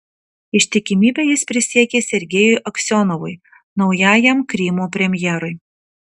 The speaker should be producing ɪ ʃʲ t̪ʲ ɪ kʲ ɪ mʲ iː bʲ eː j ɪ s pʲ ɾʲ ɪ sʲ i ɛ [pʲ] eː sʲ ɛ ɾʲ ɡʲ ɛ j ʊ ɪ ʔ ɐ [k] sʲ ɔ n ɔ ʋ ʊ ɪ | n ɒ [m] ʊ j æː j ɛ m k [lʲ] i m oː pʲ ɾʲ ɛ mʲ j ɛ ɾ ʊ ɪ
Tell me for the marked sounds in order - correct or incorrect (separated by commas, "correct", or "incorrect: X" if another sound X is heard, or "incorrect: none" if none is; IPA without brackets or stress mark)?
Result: incorrect: kʲ, correct, incorrect: none, incorrect: ɾʲ